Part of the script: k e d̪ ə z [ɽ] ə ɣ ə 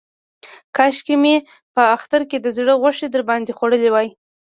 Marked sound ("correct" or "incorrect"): correct